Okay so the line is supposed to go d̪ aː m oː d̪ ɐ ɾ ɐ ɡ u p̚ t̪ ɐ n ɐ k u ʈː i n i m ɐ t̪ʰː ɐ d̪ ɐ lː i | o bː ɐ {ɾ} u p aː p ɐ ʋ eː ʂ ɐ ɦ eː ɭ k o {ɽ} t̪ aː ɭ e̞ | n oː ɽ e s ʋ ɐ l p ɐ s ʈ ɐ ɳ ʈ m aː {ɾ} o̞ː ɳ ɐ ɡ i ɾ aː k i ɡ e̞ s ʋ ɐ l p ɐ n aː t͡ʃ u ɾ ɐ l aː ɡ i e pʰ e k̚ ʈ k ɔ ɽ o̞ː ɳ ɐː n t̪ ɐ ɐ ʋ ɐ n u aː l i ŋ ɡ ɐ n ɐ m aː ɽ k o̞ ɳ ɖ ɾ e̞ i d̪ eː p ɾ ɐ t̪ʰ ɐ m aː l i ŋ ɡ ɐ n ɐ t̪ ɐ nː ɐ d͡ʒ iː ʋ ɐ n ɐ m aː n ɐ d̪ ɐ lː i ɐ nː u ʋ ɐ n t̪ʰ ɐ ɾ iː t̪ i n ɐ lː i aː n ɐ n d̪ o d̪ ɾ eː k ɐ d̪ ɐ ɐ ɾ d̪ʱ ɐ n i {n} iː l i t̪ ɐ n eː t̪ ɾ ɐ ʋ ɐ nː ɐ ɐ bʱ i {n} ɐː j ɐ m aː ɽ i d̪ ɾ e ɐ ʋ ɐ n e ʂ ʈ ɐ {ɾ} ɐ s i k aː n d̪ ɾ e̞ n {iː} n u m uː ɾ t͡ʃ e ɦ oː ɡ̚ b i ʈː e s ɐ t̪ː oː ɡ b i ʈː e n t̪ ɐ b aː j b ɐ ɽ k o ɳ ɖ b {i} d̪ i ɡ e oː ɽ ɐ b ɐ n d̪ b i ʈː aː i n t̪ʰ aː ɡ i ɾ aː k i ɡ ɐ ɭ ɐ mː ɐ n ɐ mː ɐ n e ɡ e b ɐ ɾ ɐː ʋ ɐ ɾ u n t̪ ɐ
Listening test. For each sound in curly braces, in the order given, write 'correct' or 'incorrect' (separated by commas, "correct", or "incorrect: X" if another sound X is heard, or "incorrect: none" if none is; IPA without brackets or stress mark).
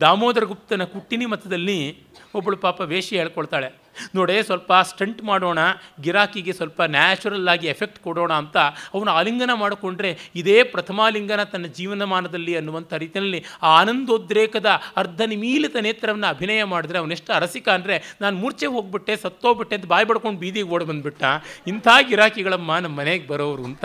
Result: incorrect: ɭ, incorrect: ɭ, incorrect: ɽ, incorrect: m, correct, correct, incorrect: aː, incorrect: iː